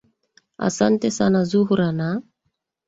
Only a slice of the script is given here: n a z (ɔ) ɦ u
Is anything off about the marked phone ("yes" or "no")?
yes